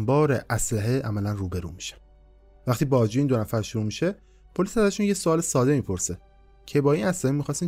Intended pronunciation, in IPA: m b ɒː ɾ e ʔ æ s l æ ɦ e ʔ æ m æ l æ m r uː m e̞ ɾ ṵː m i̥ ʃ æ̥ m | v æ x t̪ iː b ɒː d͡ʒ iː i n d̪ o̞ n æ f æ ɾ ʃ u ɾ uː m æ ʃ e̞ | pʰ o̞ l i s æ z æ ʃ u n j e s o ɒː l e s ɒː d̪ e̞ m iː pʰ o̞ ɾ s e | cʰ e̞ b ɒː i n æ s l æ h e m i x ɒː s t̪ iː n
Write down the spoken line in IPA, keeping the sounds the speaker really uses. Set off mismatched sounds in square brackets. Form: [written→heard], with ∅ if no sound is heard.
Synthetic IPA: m b ɒː ɾ e ʔ æ s l æ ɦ e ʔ æ m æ l æ [m→n] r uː [m→b] e̞ ɾ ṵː m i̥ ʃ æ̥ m | v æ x t̪ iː b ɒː d͡ʒ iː i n d̪ o̞ n æ f æ ɾ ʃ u ɾ uː m [æ→i] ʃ e̞ | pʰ o̞ l i s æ z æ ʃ u n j e s o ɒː l e s ɒː d̪ e̞ m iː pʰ o̞ ɾ s e | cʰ e̞ b ɒː i n æ s l æ h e m i x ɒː s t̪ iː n